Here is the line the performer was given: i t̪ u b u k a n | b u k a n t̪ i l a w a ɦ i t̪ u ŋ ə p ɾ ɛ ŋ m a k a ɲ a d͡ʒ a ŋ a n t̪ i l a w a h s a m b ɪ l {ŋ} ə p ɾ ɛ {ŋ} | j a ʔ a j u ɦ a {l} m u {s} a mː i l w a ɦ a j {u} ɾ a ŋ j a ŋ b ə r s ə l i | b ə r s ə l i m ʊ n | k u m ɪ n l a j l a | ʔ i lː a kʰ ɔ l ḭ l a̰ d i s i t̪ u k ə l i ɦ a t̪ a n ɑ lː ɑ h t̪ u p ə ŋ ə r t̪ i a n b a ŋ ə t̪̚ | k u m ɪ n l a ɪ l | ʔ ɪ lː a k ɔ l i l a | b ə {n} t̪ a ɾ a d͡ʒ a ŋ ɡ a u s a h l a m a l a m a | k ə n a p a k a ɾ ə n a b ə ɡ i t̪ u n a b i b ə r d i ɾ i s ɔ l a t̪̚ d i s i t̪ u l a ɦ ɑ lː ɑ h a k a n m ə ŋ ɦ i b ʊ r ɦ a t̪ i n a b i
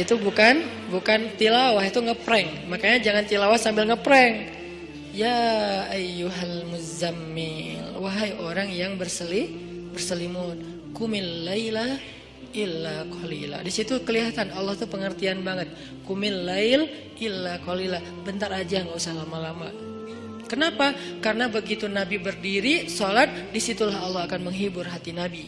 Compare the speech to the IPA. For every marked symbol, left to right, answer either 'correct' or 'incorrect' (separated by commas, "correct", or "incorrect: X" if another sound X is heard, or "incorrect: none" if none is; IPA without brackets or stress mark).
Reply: correct, correct, correct, incorrect: z, incorrect: o, correct